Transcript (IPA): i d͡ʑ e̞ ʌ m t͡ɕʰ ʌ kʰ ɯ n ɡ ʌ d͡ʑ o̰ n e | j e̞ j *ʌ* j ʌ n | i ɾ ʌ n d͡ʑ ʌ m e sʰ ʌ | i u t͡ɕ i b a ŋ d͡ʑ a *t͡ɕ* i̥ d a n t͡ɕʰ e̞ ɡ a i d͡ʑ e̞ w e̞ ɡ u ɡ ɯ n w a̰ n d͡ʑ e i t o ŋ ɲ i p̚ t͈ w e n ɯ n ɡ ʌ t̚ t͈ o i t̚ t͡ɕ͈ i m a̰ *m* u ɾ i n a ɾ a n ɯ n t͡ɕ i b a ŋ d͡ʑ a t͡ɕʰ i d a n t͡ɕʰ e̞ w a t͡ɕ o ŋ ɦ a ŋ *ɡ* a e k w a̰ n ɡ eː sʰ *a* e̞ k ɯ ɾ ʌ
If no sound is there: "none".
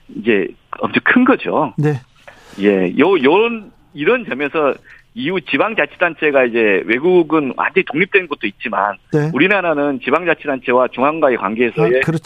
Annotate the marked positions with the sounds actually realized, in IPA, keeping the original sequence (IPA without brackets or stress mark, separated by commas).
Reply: ʌ, t͡ɕʰ, n, ɡ, ʌ